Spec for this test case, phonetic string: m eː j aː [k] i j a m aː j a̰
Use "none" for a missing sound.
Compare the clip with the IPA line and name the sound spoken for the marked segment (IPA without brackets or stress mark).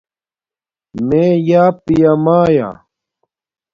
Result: p